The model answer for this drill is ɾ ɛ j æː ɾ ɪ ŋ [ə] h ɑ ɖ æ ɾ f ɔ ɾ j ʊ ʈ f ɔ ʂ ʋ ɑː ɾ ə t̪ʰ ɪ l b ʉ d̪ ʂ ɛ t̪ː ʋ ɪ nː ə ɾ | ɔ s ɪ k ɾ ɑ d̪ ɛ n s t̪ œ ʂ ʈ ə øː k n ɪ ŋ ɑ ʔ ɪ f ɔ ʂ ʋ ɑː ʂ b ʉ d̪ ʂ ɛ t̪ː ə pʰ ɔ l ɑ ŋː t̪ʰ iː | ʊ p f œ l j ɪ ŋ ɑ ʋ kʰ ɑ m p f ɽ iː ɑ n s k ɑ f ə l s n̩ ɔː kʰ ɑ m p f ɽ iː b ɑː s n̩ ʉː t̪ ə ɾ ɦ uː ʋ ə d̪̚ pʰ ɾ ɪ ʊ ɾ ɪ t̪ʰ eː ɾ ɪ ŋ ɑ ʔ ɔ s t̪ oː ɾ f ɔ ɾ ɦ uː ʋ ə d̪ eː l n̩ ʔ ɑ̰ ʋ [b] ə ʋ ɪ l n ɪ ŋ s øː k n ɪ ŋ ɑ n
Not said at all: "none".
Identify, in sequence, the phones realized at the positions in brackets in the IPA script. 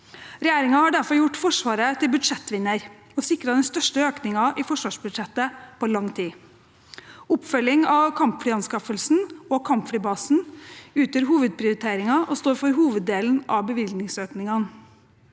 ɑ, b

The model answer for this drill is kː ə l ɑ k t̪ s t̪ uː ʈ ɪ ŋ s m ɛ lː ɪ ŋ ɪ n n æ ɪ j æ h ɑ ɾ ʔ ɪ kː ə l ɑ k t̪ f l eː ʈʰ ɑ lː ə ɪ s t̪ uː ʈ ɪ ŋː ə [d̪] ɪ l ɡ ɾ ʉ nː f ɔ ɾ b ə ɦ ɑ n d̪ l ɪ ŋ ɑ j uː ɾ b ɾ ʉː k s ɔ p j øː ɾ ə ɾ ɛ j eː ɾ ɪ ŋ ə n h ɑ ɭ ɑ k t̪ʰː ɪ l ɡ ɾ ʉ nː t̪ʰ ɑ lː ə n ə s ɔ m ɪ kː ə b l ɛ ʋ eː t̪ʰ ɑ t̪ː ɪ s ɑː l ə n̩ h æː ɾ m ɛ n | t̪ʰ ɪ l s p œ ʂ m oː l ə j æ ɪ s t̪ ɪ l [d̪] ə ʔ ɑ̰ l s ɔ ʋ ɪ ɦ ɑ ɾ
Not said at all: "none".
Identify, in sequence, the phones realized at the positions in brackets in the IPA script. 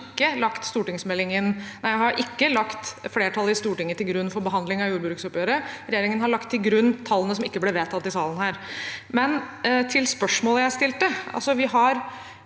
t̪, t̪

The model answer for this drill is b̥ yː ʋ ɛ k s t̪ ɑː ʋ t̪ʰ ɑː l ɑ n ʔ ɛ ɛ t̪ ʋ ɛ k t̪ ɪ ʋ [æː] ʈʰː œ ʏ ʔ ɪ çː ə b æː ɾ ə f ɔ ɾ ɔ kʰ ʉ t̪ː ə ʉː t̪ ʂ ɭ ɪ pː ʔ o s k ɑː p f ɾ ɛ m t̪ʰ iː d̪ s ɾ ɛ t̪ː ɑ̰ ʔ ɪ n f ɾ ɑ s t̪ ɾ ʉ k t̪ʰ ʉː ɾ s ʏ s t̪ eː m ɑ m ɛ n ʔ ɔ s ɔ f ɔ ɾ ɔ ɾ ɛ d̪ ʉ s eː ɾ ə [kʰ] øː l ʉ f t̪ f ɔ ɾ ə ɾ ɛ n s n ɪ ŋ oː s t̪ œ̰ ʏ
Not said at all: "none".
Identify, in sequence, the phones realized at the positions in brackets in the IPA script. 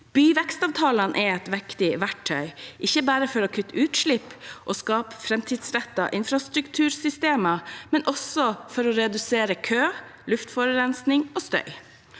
æ, kʰ

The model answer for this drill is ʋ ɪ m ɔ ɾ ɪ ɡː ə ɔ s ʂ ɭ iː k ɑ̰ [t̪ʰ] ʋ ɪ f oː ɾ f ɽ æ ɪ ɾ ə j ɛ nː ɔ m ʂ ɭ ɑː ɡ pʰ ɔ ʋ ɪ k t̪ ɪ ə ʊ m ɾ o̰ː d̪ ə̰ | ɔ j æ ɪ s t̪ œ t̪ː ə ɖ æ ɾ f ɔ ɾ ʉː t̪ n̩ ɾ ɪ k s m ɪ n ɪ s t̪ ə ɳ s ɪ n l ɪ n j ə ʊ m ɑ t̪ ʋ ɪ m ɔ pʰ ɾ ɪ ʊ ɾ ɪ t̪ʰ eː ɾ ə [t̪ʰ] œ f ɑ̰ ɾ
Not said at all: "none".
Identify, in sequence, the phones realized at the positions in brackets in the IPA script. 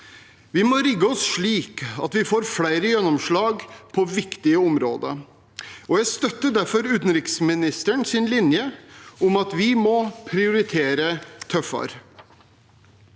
t̪, t̪ʰ

